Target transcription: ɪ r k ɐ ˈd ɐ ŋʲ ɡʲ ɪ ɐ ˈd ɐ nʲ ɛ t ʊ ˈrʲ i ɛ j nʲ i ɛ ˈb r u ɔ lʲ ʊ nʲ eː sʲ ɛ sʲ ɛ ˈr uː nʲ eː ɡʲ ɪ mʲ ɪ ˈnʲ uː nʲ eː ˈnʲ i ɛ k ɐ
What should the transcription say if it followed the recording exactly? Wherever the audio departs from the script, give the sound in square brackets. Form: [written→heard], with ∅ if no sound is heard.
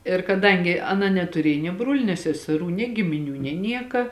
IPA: ɪ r k ɐ ˈd ɐ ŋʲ ɡʲ ɪ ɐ [ˈd→ˈn] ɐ nʲ ɛ t ʊ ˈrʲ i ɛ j nʲ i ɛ ˈb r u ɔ lʲ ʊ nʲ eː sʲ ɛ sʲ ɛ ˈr uː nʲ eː ɡʲ ɪ mʲ ɪ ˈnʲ uː nʲ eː ˈnʲ i ɛ k ɐ